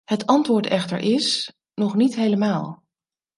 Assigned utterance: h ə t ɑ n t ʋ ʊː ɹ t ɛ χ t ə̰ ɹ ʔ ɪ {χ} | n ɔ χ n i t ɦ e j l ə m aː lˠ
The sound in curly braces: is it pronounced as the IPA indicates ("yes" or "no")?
no